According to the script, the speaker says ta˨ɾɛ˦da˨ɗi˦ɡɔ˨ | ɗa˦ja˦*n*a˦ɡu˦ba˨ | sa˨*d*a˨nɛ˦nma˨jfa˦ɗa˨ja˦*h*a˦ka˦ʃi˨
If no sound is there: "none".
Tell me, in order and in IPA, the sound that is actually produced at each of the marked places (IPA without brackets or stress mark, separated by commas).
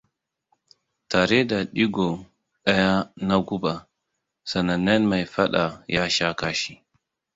n, n, ʃ